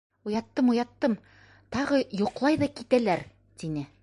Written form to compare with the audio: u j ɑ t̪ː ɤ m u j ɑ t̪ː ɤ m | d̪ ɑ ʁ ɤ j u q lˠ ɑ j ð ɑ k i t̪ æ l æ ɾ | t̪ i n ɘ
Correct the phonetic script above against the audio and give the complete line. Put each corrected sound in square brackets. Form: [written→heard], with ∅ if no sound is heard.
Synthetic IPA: u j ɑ t̪ː ɤ m u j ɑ t̪ː ɤ m | [d̪→t̪] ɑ ʁ ɤ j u q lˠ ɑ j ð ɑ k i t̪ æ l æ ɾ | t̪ i n ɘ